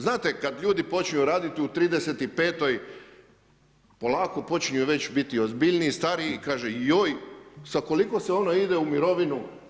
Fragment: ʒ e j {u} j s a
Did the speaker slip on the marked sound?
yes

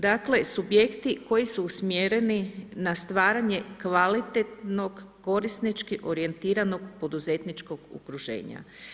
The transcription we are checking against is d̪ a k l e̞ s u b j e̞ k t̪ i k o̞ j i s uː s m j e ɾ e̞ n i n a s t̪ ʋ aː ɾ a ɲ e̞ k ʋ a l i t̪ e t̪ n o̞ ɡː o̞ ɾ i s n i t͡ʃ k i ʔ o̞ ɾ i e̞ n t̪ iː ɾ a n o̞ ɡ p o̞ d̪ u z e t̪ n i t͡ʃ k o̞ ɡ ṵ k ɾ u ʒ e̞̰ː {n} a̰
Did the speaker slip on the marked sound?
yes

